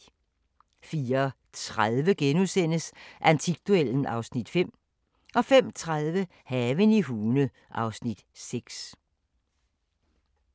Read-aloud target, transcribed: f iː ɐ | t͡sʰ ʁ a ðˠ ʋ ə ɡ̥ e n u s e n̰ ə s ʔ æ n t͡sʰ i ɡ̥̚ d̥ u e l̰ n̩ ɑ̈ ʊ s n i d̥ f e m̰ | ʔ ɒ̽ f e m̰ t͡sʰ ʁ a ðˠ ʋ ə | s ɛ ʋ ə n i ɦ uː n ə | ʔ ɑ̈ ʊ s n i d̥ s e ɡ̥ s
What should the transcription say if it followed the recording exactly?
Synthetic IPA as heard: f iː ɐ | t͡sʰ ʁ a ðˠ ʋ ə ɡ̥ e n u s e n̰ ə s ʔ æ n t͡sʰ i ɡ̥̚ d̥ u e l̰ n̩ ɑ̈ ʊ s n i d̥ f e m̰ | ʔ ɒ̽ f e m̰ t͡sʰ ʁ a ðˠ ʋ ə | h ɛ ʋ ə n i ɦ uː n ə | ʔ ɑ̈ ʊ s n i d̥ s e ɡ̥ s